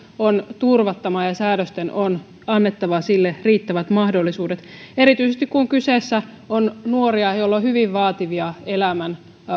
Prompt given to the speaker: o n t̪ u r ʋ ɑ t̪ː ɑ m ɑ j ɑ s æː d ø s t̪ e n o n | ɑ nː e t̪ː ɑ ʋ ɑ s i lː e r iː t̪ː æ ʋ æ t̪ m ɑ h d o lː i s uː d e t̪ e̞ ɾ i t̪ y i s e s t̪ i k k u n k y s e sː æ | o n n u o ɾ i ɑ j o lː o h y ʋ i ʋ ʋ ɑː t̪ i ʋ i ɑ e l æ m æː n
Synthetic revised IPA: o n t̪ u r ʋ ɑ t̪ː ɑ m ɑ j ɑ s æː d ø s t̪ e n o n | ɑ nː e t̪ː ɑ ʋ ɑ s i lː e r iː t̪ː æ ʋ æ t̪ m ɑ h d o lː i s uː d e t̪ e̞ ɾ i t̪ y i s e s t̪ i k k u ŋ k y s e sː æ | o n n u o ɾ i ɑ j o lː o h y ʋ i ʋ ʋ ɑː t̪ i ʋ i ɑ e l æ m æ n